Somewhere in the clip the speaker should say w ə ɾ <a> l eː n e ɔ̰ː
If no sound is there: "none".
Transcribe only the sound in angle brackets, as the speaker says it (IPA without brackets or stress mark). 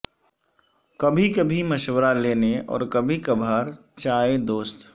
a